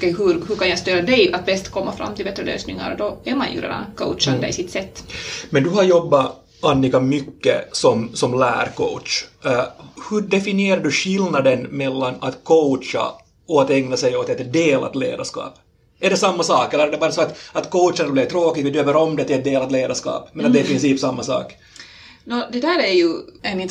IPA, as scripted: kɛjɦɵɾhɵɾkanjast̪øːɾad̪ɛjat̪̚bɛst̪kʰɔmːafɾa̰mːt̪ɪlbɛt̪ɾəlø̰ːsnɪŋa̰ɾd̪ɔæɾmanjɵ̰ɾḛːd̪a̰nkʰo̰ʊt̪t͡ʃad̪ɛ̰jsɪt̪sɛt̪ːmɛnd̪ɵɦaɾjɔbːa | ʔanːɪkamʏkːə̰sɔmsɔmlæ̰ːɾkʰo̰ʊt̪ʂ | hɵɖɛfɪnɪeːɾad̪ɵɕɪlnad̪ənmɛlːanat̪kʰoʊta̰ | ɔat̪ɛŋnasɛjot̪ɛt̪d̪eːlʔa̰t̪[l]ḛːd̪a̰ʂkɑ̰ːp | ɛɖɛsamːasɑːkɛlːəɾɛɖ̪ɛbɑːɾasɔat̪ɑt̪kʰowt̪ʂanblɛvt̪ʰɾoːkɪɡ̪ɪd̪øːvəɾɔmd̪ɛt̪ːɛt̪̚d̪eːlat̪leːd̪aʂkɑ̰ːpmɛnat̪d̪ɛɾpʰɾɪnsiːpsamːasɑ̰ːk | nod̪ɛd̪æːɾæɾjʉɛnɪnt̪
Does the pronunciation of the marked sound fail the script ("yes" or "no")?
no